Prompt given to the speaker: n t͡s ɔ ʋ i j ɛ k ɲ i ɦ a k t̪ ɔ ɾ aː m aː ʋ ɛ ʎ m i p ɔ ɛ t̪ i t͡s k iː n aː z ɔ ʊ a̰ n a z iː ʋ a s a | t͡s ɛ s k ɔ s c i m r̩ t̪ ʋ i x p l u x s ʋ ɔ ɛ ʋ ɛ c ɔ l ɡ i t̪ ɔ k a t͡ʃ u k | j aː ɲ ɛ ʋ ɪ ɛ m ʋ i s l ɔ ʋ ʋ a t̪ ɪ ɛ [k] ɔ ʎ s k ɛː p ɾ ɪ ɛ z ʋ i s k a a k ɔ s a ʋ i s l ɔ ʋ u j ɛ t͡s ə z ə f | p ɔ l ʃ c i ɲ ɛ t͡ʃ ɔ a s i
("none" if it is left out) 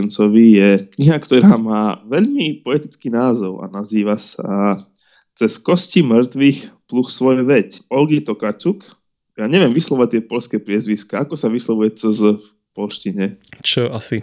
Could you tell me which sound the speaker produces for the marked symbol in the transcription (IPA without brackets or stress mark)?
p